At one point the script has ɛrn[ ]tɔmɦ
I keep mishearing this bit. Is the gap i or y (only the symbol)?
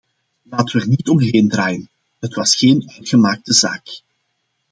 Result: i